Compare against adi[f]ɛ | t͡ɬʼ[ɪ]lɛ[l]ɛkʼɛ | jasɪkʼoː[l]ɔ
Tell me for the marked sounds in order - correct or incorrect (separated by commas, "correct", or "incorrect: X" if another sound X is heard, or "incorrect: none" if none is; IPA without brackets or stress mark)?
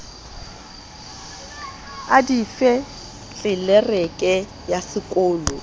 correct, correct, incorrect: r, correct